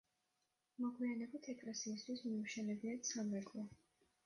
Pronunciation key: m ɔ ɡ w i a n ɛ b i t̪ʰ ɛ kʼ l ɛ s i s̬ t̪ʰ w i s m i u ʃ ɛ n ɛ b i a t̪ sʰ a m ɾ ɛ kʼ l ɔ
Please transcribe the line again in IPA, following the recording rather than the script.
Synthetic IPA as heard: m ɔ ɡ w i a n ɛ b i t̪ʰ ɛ kʼ l ɛ s iː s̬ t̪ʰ w i s m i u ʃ ɛ n ɛ b i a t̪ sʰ a m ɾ ɛ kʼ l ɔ